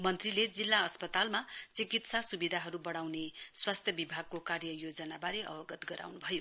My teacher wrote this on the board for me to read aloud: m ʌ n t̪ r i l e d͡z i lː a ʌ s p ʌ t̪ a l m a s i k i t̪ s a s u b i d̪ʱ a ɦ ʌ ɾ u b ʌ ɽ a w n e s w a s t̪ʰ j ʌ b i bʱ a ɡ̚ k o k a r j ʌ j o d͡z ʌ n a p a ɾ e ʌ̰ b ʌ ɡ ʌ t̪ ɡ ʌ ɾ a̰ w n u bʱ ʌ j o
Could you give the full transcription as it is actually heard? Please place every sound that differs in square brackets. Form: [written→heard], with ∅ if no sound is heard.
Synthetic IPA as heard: m ʌ n t̪ r i l e d͡z i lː a ʌ s p ʌ t̪ a l m a [s→t͡s] i k i t̪ s a s u b i d̪ʱ a ɦ ʌ ɾ u b ʌ ɽ a w n e s w a s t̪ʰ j ʌ b i bʱ a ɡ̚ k o k a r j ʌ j o d͡z ʌ n a [p→b] a ɾ e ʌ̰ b ʌ ɡ ʌ t̪ ɡ ʌ ɾ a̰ w n u bʱ ʌ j o